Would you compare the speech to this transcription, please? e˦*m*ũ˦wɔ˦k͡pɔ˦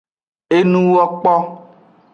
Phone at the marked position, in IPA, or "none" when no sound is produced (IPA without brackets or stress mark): n